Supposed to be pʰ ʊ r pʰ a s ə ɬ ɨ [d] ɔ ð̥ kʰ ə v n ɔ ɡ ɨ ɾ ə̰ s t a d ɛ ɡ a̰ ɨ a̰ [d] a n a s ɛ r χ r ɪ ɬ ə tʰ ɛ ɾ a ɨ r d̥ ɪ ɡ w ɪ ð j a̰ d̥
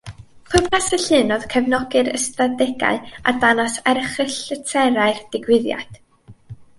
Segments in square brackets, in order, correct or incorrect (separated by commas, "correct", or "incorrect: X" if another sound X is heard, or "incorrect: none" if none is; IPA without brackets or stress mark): incorrect: n, correct